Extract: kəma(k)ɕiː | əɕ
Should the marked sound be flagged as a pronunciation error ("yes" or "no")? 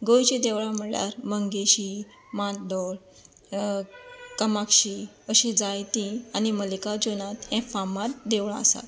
no